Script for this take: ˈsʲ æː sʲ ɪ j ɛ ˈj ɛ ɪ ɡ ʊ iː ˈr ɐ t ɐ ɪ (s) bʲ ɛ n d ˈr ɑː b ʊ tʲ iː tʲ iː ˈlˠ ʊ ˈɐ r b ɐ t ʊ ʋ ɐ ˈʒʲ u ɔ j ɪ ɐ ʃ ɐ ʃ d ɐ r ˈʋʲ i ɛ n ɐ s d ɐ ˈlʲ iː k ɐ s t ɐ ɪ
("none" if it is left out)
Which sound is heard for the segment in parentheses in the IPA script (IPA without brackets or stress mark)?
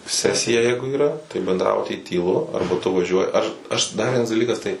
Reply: none